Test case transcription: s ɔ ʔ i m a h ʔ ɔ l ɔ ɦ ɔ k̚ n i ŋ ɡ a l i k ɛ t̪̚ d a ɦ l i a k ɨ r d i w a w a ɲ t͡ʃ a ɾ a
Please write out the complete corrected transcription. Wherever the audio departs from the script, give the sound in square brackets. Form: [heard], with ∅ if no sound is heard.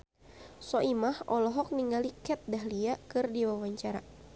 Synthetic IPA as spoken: s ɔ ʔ i m a h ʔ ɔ l ɔ ɦ ɔ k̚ n i ŋ ɡ a l i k ɛ t̪̚ d a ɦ l i a k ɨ r d i w a w a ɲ t͡ʃ a ɾ a